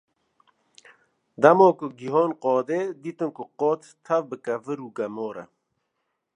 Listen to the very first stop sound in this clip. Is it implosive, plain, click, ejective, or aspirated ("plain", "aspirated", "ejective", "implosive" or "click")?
plain